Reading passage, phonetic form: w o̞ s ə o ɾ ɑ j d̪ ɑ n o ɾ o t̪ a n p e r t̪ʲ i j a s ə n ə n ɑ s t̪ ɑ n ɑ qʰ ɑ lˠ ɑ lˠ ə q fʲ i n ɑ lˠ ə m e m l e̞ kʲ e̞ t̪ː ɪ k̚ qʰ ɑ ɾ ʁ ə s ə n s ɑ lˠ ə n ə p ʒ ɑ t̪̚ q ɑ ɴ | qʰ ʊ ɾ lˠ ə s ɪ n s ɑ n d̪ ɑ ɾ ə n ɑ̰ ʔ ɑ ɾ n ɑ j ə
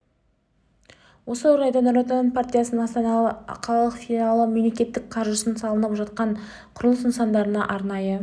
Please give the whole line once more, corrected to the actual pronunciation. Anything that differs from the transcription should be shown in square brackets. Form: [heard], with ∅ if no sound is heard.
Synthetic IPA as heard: w o̞ s ə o ɾ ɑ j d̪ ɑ n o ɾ o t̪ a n p [a] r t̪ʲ i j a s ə n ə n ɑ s t̪ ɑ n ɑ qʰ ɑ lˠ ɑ lˠ ə q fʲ i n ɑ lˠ ə m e m l e̞ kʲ e̞ t̪ː ɪ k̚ qʰ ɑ ɾ [ʒ] ə s ə n s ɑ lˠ ə n ə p ʒ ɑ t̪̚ q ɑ ɴ | qʰ ʊ ɾ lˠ ə s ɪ n s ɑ n d̪ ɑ ɾ ə n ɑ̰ ʔ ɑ ɾ n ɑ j ə